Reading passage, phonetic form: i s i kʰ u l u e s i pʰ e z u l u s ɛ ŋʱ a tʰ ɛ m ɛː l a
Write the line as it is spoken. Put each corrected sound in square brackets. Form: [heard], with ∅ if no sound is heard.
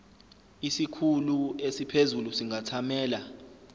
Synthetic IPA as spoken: i s i kʰ u l u e s i pʰ e z u l u s [i] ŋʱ a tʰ [a] m ɛː l a

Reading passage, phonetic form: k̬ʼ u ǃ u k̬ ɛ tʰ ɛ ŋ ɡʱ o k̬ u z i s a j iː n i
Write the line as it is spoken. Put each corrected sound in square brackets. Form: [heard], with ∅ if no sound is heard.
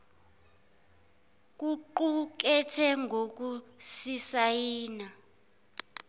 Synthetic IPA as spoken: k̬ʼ u ǃ u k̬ ɛ tʰ ɛ ŋ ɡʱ o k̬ u [s] i s a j iː n [a]

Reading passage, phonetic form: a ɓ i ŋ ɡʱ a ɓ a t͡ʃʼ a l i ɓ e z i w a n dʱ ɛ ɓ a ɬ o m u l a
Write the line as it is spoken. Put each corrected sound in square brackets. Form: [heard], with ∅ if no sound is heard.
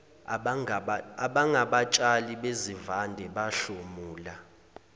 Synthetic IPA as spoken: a ɓ [a] ŋ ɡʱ a ɓ a t͡ʃʼ a l i ɓ e z i [v] a n dʱ ɛ ɓ a ɬ o m [uː] l a

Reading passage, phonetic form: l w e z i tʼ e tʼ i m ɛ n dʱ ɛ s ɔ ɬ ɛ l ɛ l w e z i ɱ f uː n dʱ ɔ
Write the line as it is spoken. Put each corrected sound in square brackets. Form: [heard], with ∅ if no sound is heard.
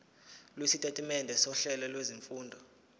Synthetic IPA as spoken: l w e [s] i tʼ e tʼ i m ɛ n dʱ ɛ s ɔ ɬ ɛ l ɛ l w e z i ɱ f uː n dʱ ɔ

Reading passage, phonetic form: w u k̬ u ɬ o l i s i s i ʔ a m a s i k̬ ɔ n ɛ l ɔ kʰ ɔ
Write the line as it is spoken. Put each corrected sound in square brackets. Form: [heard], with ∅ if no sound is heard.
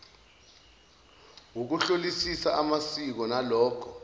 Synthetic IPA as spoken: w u k̬ u ɬ o l i s i s [a] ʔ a m a s i k̬ ɔ n [a] l [ɔː] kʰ ɔ

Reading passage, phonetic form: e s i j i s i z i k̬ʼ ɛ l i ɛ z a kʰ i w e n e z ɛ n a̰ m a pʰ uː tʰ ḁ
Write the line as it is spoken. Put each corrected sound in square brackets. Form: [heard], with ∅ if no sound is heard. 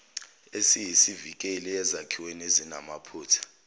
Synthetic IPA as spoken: e s i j i s i [v] i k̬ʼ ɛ l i ɛ z a kʰ i w e n e z [i] n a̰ m a pʰ uː tʰ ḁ

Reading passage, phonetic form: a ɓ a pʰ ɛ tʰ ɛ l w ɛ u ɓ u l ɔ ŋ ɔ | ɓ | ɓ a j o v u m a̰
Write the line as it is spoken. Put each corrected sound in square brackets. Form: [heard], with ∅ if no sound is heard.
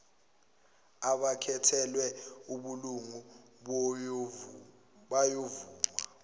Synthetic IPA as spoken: a ɓ a [kʰ] ɛ tʰ ɛ l w ɛ u ɓ u l [u] ŋ [u] | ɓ | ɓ a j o v [uː] m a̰

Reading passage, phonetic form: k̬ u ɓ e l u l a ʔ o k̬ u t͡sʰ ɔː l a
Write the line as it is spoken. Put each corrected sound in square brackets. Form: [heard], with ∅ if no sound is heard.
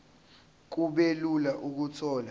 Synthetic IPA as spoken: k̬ u ɓ e l u l a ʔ [u] k̬ u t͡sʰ ɔː l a

